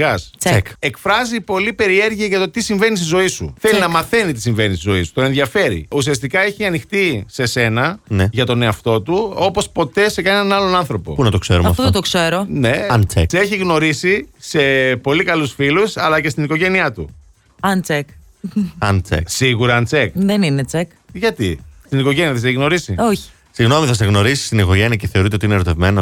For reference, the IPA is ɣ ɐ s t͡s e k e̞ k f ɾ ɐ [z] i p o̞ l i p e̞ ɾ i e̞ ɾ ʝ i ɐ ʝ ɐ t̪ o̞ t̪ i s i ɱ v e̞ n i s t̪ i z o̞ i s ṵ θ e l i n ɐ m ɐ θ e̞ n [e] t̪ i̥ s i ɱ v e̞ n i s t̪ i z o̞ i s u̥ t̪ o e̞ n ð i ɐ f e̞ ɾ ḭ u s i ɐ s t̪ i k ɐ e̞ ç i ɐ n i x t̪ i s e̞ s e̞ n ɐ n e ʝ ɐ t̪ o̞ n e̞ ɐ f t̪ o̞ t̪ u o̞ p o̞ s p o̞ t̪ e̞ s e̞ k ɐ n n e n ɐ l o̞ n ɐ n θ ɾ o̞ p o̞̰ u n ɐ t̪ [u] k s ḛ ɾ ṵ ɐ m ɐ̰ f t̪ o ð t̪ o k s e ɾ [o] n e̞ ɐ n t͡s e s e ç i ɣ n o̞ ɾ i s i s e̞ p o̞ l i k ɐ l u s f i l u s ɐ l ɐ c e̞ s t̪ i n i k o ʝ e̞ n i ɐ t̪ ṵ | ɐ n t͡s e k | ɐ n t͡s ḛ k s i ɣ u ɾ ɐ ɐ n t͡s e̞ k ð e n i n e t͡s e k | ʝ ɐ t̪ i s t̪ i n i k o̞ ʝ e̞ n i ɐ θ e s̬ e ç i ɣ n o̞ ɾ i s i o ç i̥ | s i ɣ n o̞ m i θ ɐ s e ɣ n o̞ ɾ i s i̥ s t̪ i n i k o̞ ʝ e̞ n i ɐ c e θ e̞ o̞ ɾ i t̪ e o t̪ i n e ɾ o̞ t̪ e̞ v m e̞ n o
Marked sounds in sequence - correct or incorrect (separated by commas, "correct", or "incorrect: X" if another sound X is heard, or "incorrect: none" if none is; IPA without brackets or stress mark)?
correct, incorrect: i, incorrect: o, correct